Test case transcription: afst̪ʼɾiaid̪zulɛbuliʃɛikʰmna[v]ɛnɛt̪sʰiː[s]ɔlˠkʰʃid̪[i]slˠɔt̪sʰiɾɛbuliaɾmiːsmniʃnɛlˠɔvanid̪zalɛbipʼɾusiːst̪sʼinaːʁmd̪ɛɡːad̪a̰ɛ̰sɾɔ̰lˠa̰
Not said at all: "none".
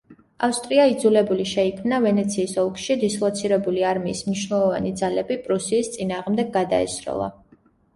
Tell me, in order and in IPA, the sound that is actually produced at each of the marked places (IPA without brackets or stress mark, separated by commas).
v, s, i